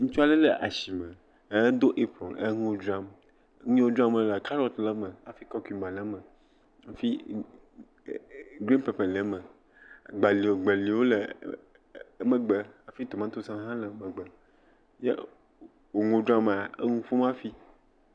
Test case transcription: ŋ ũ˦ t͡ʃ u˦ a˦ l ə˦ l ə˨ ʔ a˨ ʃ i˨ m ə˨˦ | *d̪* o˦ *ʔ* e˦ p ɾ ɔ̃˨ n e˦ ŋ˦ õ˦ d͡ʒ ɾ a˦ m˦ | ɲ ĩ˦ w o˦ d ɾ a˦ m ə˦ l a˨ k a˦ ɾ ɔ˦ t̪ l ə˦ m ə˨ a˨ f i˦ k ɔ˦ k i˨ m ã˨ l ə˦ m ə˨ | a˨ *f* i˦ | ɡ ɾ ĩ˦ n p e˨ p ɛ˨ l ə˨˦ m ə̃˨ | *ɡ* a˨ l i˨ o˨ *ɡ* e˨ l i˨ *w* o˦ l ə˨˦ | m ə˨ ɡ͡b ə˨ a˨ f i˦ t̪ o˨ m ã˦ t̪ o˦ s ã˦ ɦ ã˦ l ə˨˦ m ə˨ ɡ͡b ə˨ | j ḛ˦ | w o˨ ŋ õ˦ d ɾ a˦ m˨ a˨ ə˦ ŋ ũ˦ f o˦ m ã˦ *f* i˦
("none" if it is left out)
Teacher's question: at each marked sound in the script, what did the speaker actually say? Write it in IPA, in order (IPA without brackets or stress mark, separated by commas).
d̪, ʔ, f, ɡ͡b, ɡ͡b, w, f